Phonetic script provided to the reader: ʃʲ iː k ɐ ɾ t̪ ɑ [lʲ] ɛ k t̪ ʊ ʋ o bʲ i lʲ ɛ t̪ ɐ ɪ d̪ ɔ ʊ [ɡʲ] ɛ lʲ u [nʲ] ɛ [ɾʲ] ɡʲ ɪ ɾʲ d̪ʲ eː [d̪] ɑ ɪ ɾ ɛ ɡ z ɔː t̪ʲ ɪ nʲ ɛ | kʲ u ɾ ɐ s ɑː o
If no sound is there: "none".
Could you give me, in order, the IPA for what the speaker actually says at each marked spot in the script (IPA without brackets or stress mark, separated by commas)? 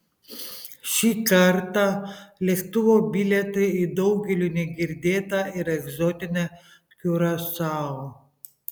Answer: lʲ, ɡʲ, nʲ, none, t̪